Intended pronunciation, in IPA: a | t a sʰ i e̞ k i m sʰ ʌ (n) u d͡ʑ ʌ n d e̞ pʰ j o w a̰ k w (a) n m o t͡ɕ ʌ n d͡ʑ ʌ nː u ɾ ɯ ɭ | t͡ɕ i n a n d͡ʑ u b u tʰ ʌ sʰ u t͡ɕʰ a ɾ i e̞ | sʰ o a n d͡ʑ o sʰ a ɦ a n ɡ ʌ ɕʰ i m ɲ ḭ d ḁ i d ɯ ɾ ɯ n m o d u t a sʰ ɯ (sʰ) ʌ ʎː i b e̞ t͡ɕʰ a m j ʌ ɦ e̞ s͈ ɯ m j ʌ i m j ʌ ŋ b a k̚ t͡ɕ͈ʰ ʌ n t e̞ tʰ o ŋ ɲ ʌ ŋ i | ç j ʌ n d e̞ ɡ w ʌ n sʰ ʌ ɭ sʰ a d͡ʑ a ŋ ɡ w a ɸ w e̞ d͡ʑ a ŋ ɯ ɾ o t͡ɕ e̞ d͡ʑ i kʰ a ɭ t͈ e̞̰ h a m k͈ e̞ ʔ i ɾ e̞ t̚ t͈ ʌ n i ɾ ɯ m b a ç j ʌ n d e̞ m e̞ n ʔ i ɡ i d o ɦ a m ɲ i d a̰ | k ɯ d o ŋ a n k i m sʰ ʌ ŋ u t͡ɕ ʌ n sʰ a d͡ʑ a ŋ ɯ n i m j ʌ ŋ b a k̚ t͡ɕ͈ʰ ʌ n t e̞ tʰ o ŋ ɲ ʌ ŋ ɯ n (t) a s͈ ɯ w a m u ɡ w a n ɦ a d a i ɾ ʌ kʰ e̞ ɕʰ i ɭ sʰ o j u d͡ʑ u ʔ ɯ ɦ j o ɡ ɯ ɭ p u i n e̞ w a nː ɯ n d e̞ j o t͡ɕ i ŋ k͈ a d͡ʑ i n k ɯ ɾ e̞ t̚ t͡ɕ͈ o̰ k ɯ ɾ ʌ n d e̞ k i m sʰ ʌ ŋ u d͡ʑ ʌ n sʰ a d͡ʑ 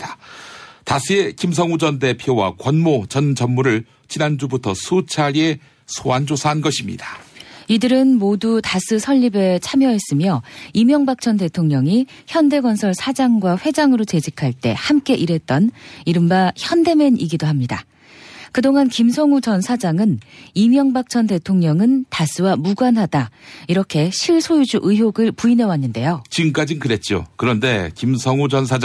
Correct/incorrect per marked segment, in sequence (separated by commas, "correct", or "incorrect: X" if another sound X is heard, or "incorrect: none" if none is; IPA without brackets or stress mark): incorrect: ŋ, incorrect: ʌ, correct, correct